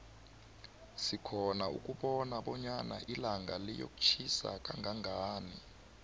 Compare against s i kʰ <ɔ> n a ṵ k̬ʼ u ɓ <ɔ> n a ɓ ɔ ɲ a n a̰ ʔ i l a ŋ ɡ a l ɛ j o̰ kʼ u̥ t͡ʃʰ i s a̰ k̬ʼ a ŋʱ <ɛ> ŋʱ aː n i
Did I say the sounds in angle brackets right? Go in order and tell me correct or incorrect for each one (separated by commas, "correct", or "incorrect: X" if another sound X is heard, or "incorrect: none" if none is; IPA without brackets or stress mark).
correct, correct, incorrect: a